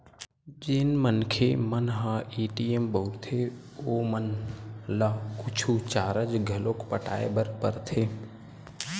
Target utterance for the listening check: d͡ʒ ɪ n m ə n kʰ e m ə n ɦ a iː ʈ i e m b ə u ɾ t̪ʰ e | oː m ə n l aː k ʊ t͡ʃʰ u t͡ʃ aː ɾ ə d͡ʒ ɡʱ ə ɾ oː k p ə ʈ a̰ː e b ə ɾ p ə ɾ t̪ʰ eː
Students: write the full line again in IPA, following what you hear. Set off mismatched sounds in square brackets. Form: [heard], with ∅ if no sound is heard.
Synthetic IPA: d͡ʒ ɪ n m ə n kʰ e m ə n ɦ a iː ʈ i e m b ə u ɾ t̪ʰ e | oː m ə n l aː k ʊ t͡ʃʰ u t͡ʃ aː ɾ ə d͡ʒ ɡʱ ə [l] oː k p ə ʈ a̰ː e b ə ɾ p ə ɾ t̪ʰ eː